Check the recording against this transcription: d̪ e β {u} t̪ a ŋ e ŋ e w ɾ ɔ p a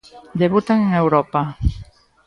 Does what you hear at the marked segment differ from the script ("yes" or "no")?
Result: no